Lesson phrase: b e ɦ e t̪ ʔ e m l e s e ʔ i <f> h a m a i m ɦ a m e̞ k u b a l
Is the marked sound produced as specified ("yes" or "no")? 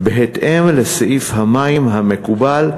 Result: yes